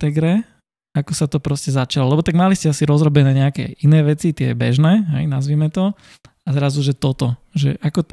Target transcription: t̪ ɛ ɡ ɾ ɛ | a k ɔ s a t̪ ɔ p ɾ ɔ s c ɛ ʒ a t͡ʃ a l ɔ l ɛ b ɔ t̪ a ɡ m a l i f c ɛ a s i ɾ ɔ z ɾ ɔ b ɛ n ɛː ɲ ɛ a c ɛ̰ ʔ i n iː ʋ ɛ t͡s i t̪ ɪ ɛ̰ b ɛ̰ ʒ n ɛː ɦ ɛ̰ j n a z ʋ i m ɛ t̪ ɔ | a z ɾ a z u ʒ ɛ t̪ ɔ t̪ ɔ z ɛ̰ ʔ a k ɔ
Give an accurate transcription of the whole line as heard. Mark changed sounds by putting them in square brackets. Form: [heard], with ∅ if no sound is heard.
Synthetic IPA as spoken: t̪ ɛ ɡ ɾ ɛ | a k ɔ s a t̪ ɔ p ɾ ɔ s c ɛ [z] a t͡ʃ a l ɔ l ɛ b ɔ t̪ a ɡ m a l i [s] c ɛ a s i ɾ ɔ z ɾ ɔ b ɛ n ɛː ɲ ɛ a [k] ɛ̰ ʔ i n [ɛː] ʋ ɛ t͡s i t̪ ɪ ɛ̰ b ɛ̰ ʒ n ɛː ɦ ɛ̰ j n a z ʋ i m ɛ t̪ ɔ | a z ɾ a z u ʒ ɛ t̪ ɔ t̪ ɔ [ʒ] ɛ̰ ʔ a k ɔ